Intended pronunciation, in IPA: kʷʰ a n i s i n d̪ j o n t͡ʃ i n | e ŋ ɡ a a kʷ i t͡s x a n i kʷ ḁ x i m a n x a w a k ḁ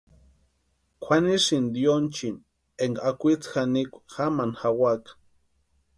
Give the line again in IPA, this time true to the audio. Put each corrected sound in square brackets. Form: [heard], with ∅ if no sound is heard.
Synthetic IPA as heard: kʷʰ a n i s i n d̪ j o n t͡ʃ i n | e ŋ ɡ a a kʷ i t͡s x a n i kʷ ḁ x [a] m a n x a w a k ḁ